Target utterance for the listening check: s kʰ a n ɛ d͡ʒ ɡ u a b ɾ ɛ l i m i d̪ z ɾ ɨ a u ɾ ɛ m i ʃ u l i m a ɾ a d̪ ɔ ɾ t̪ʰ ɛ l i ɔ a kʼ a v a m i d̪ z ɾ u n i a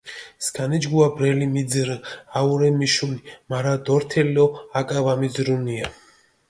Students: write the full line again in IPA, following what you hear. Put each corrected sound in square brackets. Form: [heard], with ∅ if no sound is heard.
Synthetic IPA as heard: s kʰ a n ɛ d͡ʒ ɡ u a b ɾ ɛ l i m i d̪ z ɾ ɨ a u ɾ ɛ m i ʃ u l i m a ɾ a d̪ ɔ ɾ t̪ʰ ɛ l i ɔ a kʼ a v a m i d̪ z ɾ u n i a